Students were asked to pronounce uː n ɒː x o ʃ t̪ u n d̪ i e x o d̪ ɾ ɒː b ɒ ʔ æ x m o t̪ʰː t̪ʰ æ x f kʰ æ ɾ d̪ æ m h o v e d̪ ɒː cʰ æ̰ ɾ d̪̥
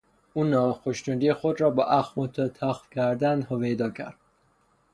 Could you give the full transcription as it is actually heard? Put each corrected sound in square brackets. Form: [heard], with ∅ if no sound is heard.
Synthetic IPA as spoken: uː n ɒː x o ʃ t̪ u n d̪ i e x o d̪ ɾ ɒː b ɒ ʔ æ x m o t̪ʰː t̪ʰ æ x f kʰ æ ɾ d̪ æ [n] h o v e d̪ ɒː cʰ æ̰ ɾ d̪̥